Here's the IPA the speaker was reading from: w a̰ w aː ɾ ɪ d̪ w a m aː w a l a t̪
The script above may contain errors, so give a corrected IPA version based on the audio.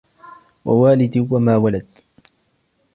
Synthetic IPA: w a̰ w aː l ɪ d̪ w a m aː w a l a d̪

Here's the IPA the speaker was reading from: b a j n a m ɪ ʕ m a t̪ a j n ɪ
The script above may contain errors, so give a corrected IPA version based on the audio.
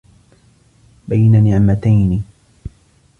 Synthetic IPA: b a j n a n ɪ ʕ m a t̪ a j n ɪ

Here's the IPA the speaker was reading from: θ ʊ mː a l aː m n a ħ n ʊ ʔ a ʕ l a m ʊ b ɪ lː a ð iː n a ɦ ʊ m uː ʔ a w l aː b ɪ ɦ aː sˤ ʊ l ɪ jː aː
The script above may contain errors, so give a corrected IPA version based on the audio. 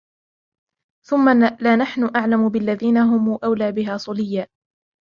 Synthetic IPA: θ ʊ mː a l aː n a ħ n ʊ ʔ a ʕ l a m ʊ b ɪ lː a ð iː n a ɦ ʊ m uː ʔ a w l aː b ɪ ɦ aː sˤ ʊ l ɪ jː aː

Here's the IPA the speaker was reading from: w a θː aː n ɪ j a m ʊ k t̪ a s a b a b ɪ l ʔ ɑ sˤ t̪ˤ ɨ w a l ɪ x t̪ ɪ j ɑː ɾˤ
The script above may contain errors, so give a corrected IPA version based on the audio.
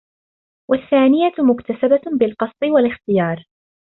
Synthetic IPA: w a θː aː n ɪ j a m ʊ k t̪ a s a b a b ɪ l q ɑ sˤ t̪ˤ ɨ w a l ɪ x t̪ ɪ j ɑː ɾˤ

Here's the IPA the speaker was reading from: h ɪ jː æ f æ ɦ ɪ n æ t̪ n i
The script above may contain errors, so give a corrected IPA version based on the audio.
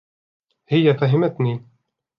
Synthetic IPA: h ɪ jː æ f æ ɦ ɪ m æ t̪ n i

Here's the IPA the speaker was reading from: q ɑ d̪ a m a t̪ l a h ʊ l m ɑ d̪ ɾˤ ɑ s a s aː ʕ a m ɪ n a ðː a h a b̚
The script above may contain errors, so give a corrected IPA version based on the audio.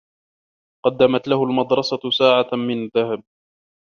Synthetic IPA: q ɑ d̪ː a m a t̪ l a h ʊ l m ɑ d̪ ɾˤ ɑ s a s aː ʕ a m ɪ n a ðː a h a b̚

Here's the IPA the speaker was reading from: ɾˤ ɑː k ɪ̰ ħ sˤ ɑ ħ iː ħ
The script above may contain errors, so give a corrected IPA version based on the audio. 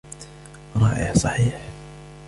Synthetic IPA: ɾˤ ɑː ʔ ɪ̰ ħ sˤ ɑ ħ iː ħ

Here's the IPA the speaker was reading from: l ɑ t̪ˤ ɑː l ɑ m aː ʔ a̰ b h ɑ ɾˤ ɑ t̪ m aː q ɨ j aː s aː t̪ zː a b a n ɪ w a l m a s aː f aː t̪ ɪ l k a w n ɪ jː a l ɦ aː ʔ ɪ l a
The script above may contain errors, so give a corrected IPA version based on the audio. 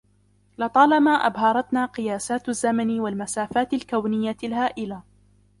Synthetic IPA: l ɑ t̪ˤ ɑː l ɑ m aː ʔ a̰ b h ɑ ɾˤ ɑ t̪ n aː q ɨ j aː s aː t̪ zː a m a n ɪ w a l m a s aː f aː t̪ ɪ l k a w n ɪ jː a l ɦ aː ʔ ɪ l a

